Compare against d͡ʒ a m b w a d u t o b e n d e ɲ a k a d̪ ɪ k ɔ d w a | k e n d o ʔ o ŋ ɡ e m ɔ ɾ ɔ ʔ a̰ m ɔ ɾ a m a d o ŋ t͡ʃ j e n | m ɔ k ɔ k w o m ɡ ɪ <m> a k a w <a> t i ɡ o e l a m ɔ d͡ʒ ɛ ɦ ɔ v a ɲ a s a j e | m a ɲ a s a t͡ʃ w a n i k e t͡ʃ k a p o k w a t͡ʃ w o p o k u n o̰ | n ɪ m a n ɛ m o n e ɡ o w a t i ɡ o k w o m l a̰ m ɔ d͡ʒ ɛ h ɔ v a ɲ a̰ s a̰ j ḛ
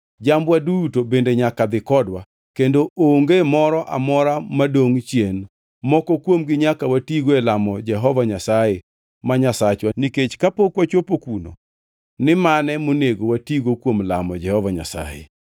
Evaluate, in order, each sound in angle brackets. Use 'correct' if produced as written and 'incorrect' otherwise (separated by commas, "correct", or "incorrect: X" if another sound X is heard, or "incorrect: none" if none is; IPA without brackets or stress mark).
incorrect: ɲ, correct